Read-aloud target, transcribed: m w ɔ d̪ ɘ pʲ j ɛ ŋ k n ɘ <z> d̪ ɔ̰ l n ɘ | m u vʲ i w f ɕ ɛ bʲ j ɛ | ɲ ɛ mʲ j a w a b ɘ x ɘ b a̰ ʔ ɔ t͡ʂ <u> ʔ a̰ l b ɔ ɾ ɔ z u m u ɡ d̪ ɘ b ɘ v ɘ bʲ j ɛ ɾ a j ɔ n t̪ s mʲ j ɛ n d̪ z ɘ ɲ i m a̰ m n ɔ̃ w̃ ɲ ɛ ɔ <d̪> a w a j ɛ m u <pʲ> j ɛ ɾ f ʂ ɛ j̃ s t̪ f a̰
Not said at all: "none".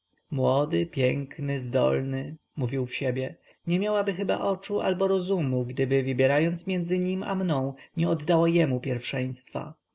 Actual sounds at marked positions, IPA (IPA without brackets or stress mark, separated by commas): z, u, d̪ː, pʲ